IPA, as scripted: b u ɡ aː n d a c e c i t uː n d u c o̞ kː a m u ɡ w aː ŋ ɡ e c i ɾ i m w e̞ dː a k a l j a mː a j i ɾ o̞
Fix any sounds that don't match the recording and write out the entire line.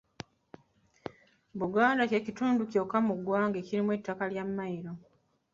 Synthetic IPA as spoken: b u ɡ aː n d a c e c i t uː n d u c o̞ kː a m u ɡ w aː ŋ ɡ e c i ɾ i m w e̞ tː a k a l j a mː a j i ɾ o̞